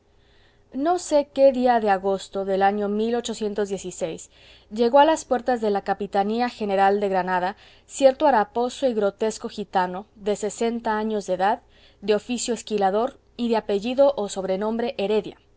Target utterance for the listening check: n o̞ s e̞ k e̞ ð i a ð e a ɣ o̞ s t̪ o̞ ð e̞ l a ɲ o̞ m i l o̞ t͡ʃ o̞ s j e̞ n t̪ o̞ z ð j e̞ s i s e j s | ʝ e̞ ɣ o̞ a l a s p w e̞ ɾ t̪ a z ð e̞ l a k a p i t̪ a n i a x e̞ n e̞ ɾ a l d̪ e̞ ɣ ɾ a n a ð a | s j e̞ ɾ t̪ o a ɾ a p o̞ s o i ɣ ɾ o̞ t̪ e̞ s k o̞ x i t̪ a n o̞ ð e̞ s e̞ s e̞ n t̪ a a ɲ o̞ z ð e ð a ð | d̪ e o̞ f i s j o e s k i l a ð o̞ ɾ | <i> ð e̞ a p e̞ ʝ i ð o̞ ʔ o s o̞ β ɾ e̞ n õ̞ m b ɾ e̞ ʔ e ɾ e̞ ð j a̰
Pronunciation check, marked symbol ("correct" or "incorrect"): correct